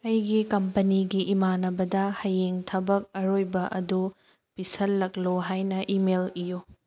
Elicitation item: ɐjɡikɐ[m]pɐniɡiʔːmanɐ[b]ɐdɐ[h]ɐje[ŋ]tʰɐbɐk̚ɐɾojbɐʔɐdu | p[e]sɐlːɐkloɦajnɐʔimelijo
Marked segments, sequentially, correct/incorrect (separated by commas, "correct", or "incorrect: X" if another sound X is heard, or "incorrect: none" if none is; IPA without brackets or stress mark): correct, correct, correct, correct, incorrect: i